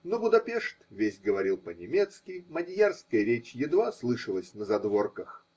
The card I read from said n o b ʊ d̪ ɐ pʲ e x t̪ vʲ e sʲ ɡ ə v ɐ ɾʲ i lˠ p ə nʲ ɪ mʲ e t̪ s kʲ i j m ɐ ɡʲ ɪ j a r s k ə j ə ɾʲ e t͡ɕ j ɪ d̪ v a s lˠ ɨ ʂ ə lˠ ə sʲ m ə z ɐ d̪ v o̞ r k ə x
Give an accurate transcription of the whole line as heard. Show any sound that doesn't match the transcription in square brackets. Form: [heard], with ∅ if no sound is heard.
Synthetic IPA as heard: n o b ʊ d̪ ɐ pʲ e [ʂ] t̪ vʲ e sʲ ɡ ə v ɐ ɾʲ i lˠ p ə nʲ ɪ mʲ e t̪ s kʲ [ɪ] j m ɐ [dʲ] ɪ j a r s k ə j ə ɾʲ e t͡ɕ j ɪ d̪ v a s lˠ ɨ ʂ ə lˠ ə sʲ [n] ə z ɐ d̪ v o̞ r k ə x